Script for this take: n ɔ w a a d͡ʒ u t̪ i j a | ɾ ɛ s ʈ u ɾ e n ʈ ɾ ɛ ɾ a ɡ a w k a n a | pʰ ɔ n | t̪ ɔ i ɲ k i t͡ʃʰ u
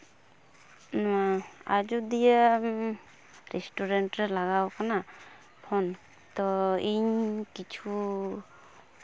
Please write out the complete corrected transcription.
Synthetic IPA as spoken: n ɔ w a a d͡ʒ u d̪ i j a | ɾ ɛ s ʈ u ɾ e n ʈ ɾ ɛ l a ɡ a w k a n a | pʰ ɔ n | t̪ ɔ i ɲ k i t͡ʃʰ u